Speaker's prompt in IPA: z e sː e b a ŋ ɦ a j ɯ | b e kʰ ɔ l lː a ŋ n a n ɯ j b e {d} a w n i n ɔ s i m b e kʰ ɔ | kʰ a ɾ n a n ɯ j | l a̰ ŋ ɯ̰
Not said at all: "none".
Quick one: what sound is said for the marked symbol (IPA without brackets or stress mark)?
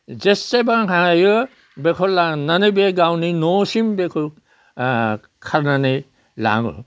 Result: ɡ